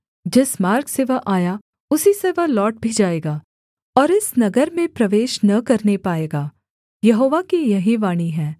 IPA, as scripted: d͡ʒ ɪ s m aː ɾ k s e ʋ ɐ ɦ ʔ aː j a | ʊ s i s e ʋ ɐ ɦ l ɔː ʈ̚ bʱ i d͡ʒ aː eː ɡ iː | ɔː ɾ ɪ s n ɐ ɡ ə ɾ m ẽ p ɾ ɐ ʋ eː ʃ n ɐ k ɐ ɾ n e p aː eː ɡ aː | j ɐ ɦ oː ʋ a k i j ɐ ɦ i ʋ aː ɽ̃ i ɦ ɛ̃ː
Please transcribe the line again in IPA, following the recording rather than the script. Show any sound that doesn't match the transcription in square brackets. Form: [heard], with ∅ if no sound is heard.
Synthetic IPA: d͡ʒ ɪ s m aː ɾ k s e ʋ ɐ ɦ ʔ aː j a | ʊ s i s e ʋ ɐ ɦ l ɔː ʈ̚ bʱ i d͡ʒ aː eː ɡ [aː] | ɔː ɾ ɪ s n ɐ ɡ ə ɾ m ẽ p ɾ ɐ ʋ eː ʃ n ɐ k ɐ ɾ n e p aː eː ɡ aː | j ɐ ɦ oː ʋ a k i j ɐ ɦ i ʋ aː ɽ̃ i ɦ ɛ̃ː